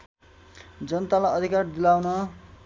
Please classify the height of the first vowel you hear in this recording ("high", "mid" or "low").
mid